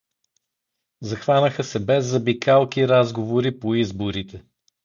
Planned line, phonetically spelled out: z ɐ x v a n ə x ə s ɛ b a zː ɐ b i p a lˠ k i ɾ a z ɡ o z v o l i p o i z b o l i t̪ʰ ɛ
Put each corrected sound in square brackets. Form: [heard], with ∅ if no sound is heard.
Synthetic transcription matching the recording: z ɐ x v a n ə x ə s ɛ b [ɛ] zː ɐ b i [k] a lˠ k i ɾ a z ɡ o [∅] v o [ɾ] i p o i z b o [ɾ] i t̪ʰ ɛ